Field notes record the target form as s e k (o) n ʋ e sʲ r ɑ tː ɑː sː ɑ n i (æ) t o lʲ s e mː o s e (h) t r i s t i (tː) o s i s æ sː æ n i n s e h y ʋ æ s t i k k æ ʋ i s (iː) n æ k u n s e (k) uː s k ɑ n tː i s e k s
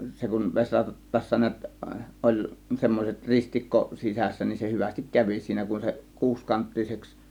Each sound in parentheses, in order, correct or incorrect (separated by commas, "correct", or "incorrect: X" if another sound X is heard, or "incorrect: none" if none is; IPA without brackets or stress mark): incorrect: u, correct, incorrect: none, incorrect: kː, correct, correct